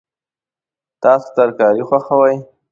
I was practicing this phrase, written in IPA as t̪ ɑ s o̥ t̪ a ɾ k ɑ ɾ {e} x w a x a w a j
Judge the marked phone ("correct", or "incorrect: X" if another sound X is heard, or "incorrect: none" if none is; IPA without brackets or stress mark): incorrect: i